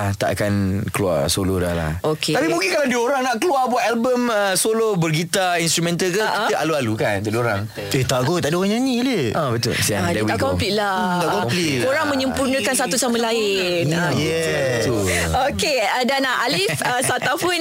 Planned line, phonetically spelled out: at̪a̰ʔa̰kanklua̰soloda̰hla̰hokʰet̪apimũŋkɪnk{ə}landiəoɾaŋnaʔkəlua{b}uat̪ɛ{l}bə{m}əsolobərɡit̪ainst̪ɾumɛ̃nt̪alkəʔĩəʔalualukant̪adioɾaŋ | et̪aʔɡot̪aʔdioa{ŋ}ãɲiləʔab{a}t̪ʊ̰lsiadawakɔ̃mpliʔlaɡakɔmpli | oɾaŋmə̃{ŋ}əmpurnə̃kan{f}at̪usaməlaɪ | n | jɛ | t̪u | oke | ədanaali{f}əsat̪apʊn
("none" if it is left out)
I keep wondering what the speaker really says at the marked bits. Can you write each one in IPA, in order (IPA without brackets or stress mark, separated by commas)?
a, b, l, m, ɲ, ə, ɲ, s, f